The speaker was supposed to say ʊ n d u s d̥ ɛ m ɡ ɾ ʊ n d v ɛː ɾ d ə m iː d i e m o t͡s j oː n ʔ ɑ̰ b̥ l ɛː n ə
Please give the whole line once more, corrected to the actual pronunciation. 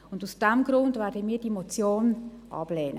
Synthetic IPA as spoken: ʊ n d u s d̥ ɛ m ɡ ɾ ʊ n d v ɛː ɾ d ə m iː d i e m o t͡s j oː n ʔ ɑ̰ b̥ l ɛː n ə